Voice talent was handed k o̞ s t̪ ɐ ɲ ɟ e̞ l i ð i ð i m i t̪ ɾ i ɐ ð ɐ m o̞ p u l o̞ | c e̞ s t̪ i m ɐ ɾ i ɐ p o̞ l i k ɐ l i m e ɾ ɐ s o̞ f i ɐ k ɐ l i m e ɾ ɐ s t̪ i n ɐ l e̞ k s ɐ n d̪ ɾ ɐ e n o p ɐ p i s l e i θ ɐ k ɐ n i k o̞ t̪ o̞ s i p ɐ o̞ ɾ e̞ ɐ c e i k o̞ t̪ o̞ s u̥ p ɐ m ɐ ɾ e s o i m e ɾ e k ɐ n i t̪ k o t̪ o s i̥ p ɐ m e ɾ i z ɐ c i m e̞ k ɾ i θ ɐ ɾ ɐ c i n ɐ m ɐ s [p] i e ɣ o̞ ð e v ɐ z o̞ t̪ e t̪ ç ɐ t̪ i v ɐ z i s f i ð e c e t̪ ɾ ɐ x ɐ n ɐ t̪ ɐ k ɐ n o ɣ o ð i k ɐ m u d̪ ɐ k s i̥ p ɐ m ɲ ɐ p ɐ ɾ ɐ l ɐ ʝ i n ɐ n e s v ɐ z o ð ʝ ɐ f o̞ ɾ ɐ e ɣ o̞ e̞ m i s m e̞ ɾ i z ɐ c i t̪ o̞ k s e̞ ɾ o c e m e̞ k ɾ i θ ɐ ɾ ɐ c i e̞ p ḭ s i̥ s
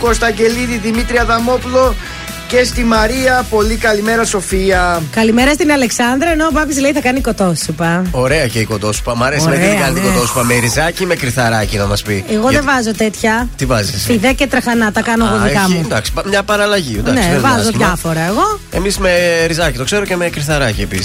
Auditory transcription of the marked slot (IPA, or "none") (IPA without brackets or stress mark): p